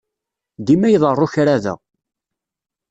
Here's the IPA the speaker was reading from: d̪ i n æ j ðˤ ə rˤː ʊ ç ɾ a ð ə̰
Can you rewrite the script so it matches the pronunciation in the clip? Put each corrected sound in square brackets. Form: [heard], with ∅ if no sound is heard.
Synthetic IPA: d̪ i [m] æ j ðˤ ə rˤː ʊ ç ɾ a ð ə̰